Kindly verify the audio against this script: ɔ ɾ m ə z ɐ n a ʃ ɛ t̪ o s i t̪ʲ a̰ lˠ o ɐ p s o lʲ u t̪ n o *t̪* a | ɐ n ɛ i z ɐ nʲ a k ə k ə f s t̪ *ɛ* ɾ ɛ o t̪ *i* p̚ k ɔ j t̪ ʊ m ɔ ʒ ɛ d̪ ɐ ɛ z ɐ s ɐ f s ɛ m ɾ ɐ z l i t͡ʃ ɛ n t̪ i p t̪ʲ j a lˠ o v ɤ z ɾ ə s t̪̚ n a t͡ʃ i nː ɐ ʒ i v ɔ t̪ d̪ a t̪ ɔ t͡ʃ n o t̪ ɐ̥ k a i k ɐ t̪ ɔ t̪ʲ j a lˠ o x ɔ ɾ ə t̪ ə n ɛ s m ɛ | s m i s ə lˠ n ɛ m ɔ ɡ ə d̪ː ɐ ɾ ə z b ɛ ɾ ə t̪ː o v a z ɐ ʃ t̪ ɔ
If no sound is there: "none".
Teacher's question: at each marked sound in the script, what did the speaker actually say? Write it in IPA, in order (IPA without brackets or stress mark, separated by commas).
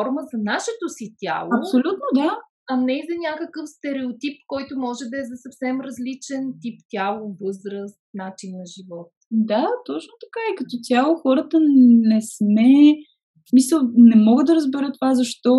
d̪, ɛ, i